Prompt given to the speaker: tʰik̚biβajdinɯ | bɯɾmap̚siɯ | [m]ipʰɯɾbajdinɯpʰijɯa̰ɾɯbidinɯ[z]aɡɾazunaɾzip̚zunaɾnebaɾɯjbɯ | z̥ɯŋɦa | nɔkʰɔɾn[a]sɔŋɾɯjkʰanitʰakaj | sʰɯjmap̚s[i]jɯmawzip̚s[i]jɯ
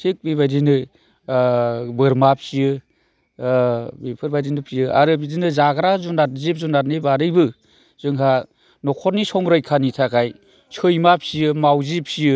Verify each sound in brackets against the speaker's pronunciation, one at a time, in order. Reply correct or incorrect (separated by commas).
incorrect, correct, incorrect, correct, correct